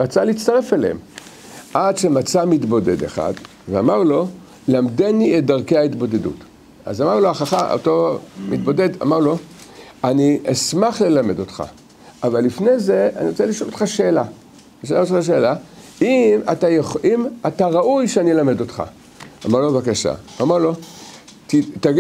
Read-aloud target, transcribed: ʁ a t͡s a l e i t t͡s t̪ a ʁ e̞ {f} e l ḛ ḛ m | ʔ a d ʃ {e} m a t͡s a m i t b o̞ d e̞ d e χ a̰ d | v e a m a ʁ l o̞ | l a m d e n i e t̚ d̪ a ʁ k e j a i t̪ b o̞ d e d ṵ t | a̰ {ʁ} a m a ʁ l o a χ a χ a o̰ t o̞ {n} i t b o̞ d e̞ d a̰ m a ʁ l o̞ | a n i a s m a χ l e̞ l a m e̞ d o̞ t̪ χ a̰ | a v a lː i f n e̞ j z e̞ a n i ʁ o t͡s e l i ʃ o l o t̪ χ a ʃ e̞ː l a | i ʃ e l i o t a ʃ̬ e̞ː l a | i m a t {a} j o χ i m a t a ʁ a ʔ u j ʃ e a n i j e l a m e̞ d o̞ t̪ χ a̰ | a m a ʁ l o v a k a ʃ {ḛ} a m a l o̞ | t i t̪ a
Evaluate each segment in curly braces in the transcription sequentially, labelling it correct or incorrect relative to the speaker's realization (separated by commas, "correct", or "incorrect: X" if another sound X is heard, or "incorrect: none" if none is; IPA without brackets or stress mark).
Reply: correct, correct, incorrect: z, incorrect: m, correct, incorrect: a̰